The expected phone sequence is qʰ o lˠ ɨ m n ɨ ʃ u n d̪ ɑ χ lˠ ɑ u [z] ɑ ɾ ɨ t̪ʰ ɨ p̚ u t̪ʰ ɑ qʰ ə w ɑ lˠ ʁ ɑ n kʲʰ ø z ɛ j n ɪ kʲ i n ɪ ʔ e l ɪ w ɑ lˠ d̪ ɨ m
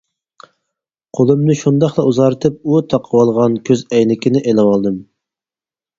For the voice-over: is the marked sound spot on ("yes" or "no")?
yes